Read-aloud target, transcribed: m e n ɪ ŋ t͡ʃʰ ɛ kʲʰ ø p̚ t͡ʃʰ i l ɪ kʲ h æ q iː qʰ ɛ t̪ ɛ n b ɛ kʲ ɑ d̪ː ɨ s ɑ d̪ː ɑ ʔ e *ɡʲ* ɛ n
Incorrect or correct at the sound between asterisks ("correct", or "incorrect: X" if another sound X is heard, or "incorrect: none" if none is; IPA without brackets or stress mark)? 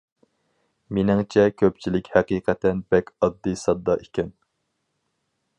incorrect: kʲ